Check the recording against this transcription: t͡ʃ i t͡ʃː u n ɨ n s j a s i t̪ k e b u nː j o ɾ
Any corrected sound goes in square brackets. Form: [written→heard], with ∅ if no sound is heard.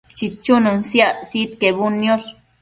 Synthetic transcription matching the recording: t͡ʃ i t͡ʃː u n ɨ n s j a s i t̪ k e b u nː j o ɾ